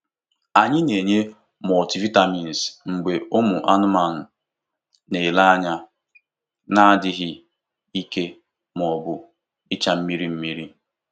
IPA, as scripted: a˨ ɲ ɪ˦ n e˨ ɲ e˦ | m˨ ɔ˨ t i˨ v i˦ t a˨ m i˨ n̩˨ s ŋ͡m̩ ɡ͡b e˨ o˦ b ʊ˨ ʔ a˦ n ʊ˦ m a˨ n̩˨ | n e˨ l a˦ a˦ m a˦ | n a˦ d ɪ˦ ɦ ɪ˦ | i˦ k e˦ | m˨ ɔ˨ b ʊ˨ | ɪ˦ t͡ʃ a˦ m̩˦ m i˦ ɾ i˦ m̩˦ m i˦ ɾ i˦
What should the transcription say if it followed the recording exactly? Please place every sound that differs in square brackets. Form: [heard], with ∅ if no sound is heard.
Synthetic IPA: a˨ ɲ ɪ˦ n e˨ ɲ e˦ | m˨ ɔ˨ t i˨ v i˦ t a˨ m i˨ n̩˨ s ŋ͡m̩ ɡ͡b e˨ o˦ [m] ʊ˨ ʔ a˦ n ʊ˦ m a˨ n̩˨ | n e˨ l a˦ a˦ [ɲ] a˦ | n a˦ d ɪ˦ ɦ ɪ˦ | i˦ k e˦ | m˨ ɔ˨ b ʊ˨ | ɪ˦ t͡ʃ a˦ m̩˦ m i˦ ɾ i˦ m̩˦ m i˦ ɾ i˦